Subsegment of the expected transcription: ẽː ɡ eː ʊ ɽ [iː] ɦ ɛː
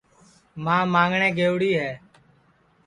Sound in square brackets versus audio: correct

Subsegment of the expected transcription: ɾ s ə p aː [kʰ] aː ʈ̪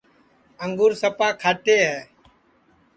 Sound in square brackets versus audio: correct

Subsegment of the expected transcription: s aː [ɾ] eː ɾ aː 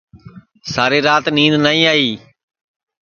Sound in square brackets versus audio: correct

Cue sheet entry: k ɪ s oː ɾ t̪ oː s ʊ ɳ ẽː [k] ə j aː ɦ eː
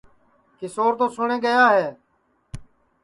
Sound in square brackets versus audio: incorrect: ɡ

